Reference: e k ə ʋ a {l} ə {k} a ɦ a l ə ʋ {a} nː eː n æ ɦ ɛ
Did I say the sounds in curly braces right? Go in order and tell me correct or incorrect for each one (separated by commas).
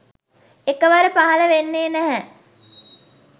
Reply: incorrect, incorrect, incorrect